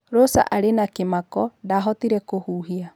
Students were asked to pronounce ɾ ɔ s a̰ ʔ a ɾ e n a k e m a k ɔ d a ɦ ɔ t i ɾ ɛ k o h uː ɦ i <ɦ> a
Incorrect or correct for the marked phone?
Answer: incorrect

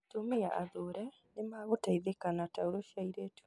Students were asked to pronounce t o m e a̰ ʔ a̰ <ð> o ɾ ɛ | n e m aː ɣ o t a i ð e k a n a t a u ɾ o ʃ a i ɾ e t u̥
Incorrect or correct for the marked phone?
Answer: correct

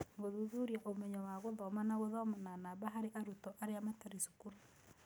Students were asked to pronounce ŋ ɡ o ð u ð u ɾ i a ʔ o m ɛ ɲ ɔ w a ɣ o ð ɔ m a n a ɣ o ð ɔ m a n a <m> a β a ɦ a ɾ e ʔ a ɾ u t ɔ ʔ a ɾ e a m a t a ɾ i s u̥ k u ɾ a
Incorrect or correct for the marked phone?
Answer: incorrect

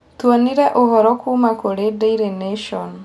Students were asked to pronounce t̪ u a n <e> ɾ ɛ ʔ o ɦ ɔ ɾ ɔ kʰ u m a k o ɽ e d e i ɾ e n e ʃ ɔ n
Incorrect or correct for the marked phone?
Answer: incorrect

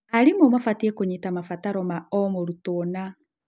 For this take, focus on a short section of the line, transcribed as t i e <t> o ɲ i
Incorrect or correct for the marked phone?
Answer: incorrect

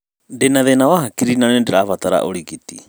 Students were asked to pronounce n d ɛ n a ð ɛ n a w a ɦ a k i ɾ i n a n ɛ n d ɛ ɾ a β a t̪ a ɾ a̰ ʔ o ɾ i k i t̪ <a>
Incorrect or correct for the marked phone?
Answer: incorrect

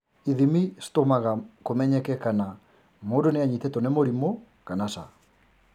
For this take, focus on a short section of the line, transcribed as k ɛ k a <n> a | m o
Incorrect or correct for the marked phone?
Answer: correct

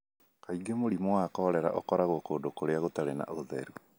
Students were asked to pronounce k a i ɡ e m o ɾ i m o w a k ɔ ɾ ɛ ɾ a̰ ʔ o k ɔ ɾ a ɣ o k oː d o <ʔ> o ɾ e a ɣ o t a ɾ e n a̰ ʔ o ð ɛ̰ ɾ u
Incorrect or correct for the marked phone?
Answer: incorrect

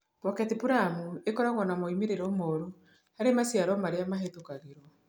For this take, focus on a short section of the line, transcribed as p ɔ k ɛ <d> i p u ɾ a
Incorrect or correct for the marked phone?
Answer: incorrect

